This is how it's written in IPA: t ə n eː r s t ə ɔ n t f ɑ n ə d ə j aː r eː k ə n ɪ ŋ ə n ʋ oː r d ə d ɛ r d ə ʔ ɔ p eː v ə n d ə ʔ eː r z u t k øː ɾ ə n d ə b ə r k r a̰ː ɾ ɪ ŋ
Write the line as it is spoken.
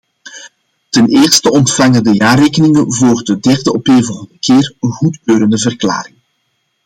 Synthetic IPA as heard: t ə n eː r s t ə ɔ n t f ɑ ŋ ə d ə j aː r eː k ə n ɪ ŋ ə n v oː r d ə d ɛ r d ə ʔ ɔ p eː v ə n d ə k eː r ɣ u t k øː ɾ ə n d ə v ə r k l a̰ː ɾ ɪ ŋ